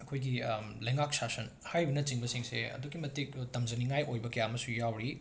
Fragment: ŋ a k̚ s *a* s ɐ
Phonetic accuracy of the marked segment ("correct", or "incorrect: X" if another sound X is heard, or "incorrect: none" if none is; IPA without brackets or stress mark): correct